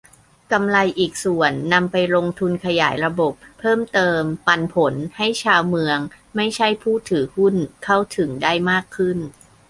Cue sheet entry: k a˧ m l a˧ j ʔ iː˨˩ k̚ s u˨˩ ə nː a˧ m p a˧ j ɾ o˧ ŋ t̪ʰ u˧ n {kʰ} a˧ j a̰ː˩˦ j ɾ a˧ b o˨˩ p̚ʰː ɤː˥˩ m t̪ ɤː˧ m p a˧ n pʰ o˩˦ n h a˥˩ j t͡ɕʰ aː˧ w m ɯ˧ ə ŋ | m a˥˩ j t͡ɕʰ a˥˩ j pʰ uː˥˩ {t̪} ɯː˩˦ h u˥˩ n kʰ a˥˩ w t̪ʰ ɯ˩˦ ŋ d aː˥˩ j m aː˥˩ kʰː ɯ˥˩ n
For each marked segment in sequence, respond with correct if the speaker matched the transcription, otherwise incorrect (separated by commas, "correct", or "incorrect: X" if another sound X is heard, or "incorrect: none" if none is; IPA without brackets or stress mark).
correct, incorrect: t̪ʰ